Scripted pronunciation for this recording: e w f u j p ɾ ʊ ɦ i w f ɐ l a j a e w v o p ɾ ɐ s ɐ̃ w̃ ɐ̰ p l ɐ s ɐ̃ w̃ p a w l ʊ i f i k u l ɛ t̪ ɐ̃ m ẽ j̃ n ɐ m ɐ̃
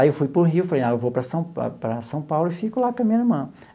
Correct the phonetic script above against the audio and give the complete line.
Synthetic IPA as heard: e w f u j p ɾ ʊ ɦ i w f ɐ l e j a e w v o p ɾ ɐ s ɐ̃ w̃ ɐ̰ p ɾ ɐ s ɐ̃ w̃ p a w l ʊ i f i k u l a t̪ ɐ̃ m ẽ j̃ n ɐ m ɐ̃